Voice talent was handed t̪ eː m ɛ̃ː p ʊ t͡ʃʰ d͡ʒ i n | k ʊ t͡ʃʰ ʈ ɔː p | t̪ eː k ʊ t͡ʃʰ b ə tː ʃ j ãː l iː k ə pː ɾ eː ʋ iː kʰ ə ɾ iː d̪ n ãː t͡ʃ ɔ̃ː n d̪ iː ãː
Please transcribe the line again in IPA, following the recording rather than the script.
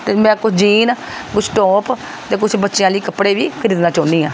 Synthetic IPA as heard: t̪ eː m ɛ̃ː k ʊ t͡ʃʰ d͡ʒ iː n | k ʊ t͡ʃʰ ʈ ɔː p | t̪ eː k ʊ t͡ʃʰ b ə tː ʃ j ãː l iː k ə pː ɽ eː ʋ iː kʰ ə ɾ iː d̪ n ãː t͡ʃ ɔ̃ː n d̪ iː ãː